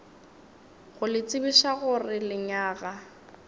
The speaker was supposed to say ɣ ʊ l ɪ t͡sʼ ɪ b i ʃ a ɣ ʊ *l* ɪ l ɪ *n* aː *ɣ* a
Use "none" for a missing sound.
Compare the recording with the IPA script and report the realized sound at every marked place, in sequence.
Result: r, ɲ, ɣ

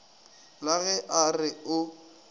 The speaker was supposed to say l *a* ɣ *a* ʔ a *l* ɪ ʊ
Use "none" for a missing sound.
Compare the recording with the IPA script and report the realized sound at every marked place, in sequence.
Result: a, ɛ, r

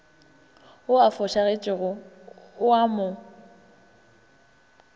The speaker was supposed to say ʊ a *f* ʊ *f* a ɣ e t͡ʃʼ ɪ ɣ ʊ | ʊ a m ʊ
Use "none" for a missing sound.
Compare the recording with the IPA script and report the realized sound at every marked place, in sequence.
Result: f, ʃ

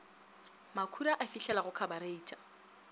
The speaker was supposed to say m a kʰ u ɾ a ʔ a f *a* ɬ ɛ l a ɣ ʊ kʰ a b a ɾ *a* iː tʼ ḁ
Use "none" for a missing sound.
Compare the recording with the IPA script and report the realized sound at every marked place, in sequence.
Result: i, e

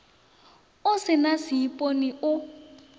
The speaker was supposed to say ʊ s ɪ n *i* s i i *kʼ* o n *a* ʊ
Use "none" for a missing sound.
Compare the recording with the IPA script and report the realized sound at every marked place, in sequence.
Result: a, pʼ, i

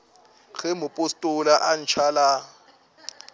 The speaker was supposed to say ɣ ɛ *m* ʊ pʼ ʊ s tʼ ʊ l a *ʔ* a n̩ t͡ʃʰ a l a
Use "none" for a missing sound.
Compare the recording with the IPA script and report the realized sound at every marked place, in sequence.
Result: m, ʔ

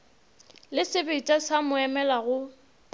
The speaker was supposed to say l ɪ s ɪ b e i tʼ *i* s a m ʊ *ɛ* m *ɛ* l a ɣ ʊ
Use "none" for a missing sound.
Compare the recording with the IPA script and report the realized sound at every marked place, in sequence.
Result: a, ɛ, ɛ

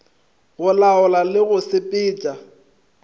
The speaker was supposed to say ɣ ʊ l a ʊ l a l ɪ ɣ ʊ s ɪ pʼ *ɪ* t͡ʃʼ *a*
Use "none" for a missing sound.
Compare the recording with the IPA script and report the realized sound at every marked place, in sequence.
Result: ɪː, a

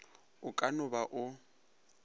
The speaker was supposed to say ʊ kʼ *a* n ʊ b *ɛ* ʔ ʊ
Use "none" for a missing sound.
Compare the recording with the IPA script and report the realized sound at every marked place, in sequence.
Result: a, a

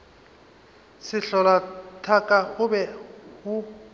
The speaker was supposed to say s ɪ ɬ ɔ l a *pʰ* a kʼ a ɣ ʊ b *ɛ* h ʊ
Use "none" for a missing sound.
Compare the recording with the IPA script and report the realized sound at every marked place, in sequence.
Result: tʰ, ɛ

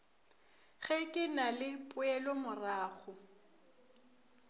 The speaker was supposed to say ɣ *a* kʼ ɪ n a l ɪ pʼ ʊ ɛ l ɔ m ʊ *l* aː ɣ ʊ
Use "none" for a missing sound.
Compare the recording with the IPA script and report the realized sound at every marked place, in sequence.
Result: ɛ, r

